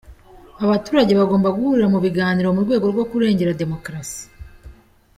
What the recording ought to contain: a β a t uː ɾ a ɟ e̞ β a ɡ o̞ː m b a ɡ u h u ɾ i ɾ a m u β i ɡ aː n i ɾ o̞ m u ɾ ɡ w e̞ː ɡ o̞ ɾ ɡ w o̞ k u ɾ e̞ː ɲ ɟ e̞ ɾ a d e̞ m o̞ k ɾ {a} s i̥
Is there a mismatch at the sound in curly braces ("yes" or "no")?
no